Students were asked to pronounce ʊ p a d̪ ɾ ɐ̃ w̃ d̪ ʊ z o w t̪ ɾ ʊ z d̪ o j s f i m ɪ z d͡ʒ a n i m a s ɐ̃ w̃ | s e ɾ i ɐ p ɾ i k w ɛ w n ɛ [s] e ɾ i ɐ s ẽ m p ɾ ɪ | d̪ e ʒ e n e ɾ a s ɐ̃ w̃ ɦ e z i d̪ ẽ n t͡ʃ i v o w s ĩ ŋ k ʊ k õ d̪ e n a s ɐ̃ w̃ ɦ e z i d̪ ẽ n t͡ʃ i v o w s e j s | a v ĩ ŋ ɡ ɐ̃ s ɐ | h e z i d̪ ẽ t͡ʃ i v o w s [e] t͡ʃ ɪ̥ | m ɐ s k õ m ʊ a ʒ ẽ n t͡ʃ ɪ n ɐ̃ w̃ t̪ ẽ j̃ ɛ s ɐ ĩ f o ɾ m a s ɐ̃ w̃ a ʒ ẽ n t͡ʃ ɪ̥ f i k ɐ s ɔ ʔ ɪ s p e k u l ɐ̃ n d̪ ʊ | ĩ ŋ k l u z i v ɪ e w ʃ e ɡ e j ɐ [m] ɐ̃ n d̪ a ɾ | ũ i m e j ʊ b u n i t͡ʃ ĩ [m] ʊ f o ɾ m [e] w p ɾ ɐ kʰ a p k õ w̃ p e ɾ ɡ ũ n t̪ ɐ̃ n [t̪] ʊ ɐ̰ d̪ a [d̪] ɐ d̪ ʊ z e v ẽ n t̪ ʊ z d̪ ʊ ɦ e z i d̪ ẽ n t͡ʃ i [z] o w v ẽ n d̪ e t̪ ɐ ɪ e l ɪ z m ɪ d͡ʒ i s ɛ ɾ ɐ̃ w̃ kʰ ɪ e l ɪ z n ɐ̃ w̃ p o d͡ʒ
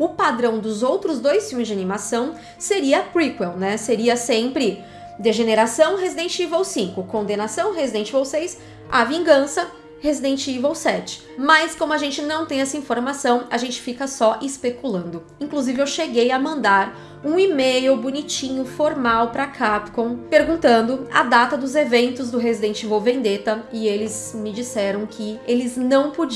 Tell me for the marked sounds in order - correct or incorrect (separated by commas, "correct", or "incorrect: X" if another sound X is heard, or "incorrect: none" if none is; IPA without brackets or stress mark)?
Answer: correct, incorrect: ɛ, correct, incorrect: ɲ, incorrect: a, incorrect: d̪, incorrect: t̪, incorrect: v